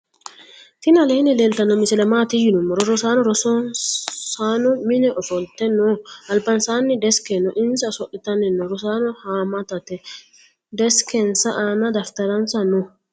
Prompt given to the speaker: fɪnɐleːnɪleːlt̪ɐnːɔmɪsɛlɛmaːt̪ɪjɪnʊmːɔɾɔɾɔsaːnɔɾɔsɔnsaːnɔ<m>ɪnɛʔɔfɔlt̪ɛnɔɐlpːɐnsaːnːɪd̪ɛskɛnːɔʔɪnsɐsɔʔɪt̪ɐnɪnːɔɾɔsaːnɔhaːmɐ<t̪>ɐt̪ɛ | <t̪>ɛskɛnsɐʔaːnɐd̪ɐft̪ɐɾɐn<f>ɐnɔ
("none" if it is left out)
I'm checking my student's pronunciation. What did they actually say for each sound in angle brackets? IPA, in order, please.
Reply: m, t̪, d̪, s

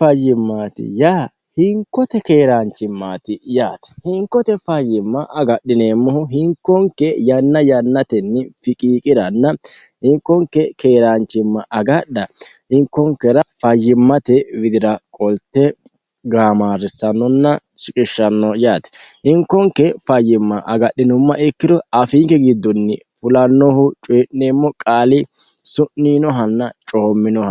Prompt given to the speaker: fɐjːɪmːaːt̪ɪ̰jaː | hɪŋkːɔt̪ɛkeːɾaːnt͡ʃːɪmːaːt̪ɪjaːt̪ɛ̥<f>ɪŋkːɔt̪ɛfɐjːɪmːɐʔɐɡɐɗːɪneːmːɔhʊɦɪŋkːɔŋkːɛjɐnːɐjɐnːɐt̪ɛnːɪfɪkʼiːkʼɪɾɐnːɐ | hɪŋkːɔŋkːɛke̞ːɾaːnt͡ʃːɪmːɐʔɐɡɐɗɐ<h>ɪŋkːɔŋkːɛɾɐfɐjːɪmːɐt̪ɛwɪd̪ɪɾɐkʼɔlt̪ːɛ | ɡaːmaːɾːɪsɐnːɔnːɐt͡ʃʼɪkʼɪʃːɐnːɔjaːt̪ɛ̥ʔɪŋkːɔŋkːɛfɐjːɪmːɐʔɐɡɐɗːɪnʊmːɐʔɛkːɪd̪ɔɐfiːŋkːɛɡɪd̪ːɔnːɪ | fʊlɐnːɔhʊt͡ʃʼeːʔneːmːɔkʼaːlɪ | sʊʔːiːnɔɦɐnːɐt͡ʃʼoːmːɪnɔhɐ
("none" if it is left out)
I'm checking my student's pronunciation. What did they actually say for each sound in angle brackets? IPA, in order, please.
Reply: h, h

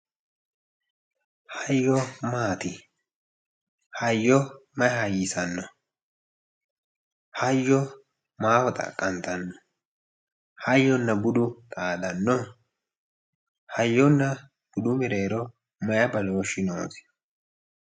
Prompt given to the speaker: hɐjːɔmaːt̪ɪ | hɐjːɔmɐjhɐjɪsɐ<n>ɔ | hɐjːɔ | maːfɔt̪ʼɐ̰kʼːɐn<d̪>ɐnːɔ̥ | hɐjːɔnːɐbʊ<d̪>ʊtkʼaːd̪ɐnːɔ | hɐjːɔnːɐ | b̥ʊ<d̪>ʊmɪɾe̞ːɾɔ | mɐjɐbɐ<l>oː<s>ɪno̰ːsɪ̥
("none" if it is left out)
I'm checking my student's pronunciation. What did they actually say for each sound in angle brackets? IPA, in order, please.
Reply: nː, t̪, d̪, d̪, l, ʃ

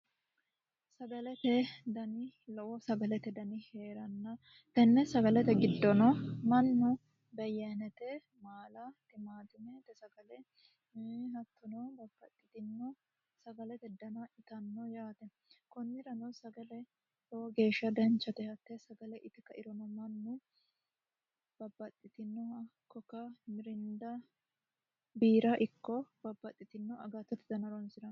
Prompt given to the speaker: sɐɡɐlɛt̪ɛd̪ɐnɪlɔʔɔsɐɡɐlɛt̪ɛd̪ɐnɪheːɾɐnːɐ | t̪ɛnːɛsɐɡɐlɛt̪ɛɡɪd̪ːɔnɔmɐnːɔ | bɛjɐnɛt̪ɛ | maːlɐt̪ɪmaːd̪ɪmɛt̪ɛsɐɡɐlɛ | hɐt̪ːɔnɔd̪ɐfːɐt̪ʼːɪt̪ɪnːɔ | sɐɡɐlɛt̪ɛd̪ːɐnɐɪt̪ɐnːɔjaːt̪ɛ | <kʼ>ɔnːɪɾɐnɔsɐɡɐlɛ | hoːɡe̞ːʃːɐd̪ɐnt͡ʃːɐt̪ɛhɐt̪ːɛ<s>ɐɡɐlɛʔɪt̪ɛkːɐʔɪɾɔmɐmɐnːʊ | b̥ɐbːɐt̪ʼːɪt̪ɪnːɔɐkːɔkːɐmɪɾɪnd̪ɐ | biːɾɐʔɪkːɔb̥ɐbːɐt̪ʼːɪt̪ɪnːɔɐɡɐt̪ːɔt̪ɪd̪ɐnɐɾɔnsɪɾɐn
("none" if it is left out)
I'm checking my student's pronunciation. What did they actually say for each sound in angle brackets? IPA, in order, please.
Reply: k, s

